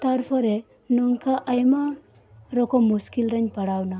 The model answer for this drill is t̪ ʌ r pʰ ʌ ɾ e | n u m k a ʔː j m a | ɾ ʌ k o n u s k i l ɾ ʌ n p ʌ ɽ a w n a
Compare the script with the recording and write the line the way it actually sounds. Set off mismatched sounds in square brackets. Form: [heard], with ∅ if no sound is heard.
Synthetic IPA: t̪ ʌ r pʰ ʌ ɾ e | n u [ŋ] k a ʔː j m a | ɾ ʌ k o [m] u s k i l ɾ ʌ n p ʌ ɽ a w n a

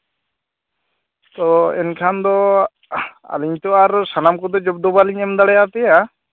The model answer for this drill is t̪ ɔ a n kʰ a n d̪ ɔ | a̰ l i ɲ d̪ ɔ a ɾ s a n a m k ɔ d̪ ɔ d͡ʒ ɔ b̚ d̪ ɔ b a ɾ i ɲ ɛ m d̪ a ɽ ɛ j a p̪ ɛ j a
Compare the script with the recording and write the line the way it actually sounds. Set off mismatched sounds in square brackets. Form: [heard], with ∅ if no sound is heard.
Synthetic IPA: t̪ ɔ [ɛ] n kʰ a n d̪ ɔ | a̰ l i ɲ [t̪] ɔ a ɾ s a n a m k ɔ d̪ ɔ d͡ʒ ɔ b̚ d̪ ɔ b a [l] i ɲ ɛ m d̪ a ɽ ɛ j a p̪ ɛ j a

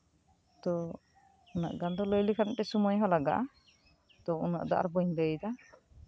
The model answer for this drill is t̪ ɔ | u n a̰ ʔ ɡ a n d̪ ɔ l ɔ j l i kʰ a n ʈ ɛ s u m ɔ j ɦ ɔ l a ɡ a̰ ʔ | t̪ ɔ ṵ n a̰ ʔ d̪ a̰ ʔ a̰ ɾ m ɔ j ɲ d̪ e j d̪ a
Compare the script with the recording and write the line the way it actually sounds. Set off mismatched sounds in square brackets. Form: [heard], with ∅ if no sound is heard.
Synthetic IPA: t̪ ɔ | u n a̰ ʔ ɡ a n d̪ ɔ l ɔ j l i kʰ a n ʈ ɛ s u m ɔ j ɦ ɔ l a ɡ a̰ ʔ | t̪ ɔ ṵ n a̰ ʔ d̪ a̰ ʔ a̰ ɾ [b] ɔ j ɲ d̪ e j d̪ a

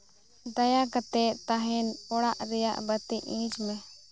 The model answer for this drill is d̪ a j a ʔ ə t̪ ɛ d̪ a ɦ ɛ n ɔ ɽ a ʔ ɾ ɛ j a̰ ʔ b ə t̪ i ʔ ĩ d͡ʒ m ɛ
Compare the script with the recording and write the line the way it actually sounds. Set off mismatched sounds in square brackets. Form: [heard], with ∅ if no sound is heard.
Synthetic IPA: d̪ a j a [k] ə t̪ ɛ [t̪] a ɦ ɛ n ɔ ɽ a ʔ ɾ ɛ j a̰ ʔ b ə t̪ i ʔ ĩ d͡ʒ m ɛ

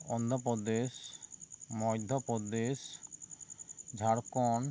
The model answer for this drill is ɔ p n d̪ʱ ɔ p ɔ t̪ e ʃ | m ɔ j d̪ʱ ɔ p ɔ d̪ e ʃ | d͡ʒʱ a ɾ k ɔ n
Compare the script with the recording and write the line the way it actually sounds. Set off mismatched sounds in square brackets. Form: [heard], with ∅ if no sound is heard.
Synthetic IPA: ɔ [∅] n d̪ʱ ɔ p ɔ [d̪] e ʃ | m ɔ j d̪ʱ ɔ p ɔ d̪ e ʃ | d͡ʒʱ a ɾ k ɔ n

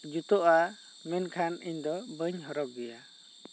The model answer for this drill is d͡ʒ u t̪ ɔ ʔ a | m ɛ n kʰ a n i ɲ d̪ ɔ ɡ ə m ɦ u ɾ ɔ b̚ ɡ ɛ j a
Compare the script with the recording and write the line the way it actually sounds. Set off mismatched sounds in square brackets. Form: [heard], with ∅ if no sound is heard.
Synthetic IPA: d͡ʒ u t̪ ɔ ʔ a | m ɛ n kʰ a n i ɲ d̪ ɔ [b] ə [ɲ] ɦ [ɔ] ɾ ɔ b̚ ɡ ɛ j a

